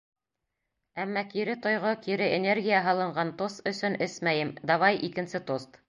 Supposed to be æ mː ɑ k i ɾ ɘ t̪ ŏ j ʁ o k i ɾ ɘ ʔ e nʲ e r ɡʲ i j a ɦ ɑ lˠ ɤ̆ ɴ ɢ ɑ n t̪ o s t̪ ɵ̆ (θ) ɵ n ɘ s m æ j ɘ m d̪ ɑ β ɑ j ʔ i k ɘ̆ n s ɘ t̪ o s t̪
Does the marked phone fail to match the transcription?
yes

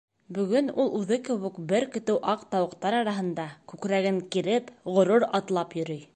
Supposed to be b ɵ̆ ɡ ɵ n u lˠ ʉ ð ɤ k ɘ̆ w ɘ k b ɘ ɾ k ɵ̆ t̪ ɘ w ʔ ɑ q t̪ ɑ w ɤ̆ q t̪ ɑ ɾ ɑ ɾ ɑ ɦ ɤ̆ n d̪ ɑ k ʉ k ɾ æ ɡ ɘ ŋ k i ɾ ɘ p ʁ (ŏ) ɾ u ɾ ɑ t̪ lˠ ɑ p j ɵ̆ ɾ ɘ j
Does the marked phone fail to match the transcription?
no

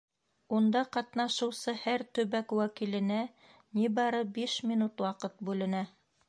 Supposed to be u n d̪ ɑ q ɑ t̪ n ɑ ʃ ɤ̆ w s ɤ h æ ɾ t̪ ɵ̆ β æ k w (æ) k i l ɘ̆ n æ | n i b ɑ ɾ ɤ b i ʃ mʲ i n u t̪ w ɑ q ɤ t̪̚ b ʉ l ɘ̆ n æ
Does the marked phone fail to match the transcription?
no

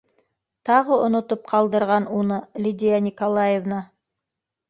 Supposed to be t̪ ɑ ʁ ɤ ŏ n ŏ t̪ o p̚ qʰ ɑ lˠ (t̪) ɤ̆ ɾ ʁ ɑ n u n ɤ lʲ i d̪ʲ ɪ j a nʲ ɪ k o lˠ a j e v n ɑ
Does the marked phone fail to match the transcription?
yes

